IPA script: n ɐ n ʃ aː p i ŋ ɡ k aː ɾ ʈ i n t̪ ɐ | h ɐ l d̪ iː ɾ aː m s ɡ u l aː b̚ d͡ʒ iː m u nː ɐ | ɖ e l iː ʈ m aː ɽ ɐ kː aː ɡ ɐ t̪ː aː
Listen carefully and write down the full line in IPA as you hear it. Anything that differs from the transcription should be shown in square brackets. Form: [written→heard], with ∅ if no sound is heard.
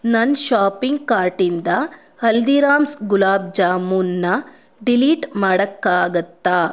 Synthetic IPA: n ɐ n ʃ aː p i ŋ ɡ k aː ɾ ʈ i n [t̪→d̪] ɐ | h ɐ l d̪ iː ɾ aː m s ɡ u l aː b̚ d͡ʒ [iː→aː] m u nː ɐ | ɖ [e→i] l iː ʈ m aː ɽ ɐ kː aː ɡ ɐ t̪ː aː

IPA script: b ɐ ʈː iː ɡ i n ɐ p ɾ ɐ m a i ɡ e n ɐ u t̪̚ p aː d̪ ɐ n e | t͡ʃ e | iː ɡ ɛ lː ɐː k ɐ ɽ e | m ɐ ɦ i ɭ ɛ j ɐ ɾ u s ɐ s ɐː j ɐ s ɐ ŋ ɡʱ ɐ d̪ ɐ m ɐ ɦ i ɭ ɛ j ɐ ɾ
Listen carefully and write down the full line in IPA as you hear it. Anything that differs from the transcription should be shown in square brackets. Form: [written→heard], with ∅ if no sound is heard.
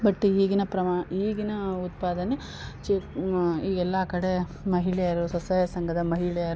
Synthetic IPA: b ɐ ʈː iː ɡ i n ɐ p ɾ ɐ m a [i→iː] ɡ [e→i] n ɐ u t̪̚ p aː d̪ ɐ n e | t͡ʃ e | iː ɡ ɛ lː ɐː k ɐ ɽ e | m ɐ ɦ i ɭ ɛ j ɐ ɾ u s ɐ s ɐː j ɐ s ɐ ŋ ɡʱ ɐ d̪ ɐ m ɐ ɦ i ɭ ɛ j ɐ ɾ

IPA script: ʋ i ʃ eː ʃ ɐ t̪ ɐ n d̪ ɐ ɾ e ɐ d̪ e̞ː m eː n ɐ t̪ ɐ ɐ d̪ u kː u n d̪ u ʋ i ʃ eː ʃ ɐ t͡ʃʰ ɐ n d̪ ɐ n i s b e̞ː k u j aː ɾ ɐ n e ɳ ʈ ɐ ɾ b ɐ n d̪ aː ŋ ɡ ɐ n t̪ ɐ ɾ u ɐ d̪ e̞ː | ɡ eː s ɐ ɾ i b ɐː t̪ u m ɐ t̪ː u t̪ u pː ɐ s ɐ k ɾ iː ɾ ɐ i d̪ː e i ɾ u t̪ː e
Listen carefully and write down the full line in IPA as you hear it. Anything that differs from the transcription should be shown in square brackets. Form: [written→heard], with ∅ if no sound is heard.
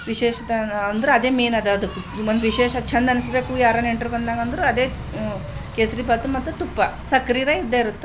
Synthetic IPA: ʋ i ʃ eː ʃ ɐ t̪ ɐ n d̪ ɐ ɾ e ɐ d̪ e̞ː m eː n ɐ [t̪→d̪] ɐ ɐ d̪ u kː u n d̪ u ʋ i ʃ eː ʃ ɐ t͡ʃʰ ɐ n d̪ ɐ n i s b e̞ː k u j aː ɾ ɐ n e ɳ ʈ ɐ ɾ b ɐ n d̪ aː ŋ ɡ ɐ n [t̪→d̪] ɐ ɾ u ɐ d̪ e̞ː | [ɡ→k] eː s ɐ ɾ i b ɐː t̪ u m ɐ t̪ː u t̪ u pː ɐ s ɐ k ɾ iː ɾ ɐ i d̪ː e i ɾ u t̪ː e

